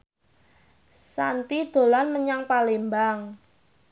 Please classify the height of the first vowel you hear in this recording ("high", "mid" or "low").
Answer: low